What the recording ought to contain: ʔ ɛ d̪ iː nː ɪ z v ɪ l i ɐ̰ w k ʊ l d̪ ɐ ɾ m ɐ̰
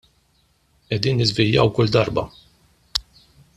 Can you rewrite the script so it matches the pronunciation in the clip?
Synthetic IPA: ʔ ɛ d̪ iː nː ɪ z v ɪ l j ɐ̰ w k ʊ l d̪ ɐ ɾ b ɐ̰